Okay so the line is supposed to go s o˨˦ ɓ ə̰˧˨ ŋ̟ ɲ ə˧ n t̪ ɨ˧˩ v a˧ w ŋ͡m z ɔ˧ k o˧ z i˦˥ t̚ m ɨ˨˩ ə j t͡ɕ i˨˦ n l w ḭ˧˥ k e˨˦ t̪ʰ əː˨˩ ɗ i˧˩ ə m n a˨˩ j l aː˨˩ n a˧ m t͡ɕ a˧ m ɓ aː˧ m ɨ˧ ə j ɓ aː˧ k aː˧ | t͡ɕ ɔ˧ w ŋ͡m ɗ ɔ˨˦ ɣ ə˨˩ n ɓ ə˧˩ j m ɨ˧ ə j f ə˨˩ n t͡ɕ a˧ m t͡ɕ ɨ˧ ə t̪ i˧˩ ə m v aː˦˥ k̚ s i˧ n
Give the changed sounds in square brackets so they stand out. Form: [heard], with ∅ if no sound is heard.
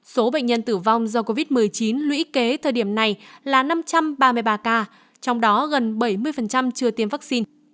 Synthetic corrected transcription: s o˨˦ ɓ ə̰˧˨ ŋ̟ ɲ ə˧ n t̪ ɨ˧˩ v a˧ w ŋ͡m z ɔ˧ k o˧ [v] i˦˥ t̚ m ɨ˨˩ ə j t͡ɕ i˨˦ n l w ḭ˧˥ k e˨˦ t̪ʰ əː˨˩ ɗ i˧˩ ə m n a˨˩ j l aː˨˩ n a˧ m t͡ɕ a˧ m ɓ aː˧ m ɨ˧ ə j ɓ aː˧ k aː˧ | t͡ɕ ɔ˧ w ŋ͡m ɗ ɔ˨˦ ɣ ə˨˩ n ɓ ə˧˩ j m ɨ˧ ə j f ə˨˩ n t͡ɕ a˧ m t͡ɕ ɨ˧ ə t̪ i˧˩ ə m v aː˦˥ k̚ s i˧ n